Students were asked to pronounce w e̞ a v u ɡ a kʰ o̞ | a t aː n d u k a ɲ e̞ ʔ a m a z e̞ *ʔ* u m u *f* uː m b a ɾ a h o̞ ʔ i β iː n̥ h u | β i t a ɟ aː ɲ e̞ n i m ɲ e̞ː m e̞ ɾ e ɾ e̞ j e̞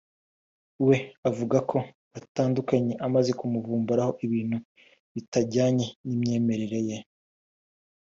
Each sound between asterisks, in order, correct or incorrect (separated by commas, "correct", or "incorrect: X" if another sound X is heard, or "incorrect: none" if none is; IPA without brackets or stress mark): incorrect: k, incorrect: v